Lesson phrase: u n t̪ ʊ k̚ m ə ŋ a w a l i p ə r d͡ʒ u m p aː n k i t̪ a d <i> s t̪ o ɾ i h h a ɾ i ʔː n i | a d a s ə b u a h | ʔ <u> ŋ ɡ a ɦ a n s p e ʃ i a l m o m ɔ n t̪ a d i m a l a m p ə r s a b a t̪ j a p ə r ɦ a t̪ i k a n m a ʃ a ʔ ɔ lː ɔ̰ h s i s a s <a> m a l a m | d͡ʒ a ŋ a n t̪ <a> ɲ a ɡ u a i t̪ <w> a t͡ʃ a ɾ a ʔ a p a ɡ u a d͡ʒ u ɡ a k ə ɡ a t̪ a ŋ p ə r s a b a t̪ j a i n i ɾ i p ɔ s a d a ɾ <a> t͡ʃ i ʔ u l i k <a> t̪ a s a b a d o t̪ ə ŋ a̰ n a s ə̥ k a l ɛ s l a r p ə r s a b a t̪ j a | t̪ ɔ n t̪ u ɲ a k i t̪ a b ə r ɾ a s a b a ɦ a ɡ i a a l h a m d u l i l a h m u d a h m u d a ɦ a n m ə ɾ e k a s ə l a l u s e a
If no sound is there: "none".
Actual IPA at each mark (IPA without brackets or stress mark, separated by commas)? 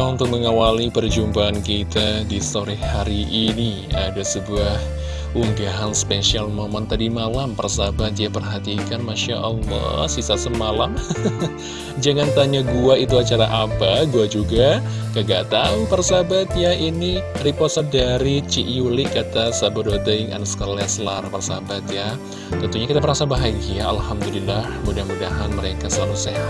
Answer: i, u, ə, a, u, i, a